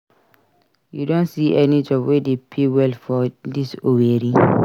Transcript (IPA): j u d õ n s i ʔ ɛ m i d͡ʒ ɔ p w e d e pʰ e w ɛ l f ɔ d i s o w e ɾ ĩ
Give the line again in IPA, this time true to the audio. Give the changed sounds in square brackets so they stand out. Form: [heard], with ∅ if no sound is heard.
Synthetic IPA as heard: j u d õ n s i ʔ ɛ [n] i d͡ʒ ɔ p w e d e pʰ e w ɛ l f ɔ d i s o w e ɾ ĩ